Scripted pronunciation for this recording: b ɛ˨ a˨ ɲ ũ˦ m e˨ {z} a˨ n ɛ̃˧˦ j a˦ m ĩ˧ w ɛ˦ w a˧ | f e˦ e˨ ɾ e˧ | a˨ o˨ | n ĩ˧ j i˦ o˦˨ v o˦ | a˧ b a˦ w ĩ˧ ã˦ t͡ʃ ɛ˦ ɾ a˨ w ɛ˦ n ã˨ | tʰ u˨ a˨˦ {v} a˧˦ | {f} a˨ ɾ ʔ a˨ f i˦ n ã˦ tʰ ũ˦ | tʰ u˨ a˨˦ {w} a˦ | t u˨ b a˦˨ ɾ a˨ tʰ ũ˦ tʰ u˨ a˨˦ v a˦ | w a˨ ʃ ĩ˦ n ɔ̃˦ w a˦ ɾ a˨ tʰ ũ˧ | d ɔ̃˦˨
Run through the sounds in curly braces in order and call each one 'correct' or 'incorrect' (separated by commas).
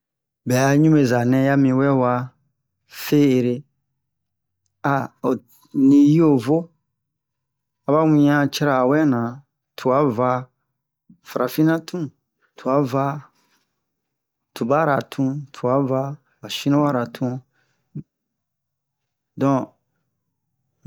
correct, correct, correct, incorrect